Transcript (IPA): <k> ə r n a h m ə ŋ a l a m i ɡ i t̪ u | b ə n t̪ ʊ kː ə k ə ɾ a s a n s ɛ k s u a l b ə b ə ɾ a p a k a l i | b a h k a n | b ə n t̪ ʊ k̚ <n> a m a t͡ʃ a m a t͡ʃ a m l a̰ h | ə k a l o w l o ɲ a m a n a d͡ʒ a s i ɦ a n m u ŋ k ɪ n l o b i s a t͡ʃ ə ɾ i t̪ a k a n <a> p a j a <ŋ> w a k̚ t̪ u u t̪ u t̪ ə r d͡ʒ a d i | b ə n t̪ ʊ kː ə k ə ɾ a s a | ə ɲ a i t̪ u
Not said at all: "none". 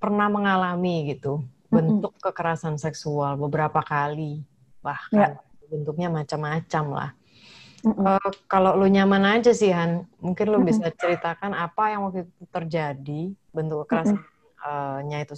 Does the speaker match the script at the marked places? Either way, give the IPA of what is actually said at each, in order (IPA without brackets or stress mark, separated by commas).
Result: p, ɲ, a, ŋ